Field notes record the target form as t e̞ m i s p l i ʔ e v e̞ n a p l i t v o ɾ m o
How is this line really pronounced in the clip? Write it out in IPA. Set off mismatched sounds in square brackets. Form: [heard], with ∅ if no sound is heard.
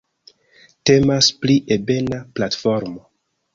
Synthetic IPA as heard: t e̞ m [a] s p l i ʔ e [b] e̞ n a p l [a] t [f] o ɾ m o